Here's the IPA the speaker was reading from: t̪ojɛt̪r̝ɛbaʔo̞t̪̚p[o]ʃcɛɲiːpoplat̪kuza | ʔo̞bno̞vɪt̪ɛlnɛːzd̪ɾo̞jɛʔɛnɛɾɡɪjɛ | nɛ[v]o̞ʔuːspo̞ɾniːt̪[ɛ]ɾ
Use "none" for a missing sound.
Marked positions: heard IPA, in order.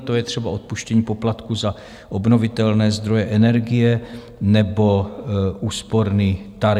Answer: u, b, a

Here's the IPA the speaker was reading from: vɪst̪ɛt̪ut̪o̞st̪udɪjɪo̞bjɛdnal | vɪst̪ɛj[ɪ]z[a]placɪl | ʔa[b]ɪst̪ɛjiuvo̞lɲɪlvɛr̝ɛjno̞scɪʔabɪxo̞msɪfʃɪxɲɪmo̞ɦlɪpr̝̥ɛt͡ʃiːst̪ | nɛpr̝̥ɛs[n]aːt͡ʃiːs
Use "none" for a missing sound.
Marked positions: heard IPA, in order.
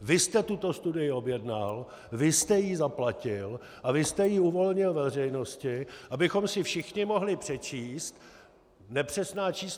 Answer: i, a, v, n

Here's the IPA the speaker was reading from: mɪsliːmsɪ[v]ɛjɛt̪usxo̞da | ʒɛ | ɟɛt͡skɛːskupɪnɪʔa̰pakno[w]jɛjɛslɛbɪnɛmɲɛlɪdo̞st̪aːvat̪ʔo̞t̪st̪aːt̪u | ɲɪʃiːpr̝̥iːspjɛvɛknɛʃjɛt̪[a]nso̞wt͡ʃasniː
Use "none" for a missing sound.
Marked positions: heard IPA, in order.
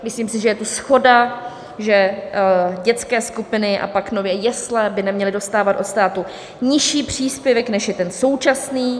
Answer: ʒ, v, ɛ

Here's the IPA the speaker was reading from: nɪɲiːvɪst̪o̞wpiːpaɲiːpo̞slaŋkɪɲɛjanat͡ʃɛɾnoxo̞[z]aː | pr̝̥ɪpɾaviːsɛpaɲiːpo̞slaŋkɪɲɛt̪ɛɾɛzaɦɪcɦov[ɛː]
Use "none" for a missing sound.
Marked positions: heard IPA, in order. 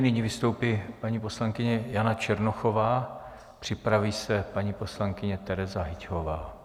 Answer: v, aː

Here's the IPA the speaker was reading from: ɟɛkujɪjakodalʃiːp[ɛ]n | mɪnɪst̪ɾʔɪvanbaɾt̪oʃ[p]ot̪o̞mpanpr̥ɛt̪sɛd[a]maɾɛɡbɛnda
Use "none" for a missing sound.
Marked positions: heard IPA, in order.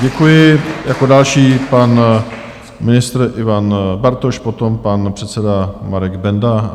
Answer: a, p, a

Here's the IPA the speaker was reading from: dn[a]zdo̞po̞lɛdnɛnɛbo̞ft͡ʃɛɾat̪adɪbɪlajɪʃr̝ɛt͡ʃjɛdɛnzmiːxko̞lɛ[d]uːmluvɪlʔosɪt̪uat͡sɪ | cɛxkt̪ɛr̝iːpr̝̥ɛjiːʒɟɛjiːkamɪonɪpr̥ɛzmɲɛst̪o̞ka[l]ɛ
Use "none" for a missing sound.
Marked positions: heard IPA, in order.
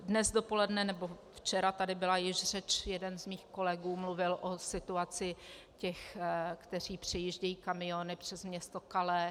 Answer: ɛ, ɡ, l

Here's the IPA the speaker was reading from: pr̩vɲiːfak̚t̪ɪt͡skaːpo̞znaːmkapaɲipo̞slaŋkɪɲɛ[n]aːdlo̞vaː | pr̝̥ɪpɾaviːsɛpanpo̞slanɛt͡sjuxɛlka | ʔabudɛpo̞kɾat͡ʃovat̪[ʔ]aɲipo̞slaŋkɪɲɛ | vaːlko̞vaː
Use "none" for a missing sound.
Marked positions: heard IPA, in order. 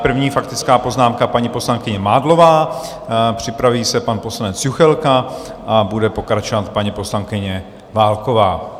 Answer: m, p

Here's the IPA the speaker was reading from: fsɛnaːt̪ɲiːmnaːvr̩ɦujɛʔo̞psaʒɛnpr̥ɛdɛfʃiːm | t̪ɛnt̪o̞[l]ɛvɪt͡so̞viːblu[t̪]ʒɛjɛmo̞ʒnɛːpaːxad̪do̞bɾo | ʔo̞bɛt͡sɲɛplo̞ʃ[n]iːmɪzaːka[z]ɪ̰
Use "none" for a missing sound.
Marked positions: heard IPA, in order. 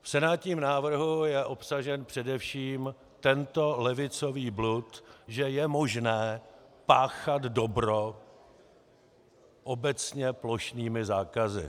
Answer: l, t̪, n, z

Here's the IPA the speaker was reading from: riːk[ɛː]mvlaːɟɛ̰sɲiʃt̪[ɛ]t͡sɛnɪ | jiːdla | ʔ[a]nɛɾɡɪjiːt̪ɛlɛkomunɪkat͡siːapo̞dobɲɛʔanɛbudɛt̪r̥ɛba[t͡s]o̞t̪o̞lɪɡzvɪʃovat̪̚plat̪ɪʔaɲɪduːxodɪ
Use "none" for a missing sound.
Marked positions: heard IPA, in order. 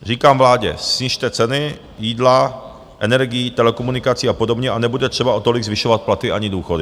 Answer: aː, ɛ, ɛ, none

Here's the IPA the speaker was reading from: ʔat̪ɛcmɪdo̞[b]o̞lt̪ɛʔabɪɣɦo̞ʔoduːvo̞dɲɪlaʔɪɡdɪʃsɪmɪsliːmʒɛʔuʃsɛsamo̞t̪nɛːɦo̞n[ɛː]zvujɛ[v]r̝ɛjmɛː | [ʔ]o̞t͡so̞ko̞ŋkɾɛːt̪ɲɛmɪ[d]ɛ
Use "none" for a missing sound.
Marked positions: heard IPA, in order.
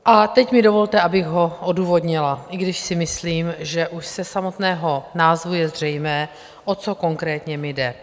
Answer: v, aː, z, ʔ, d

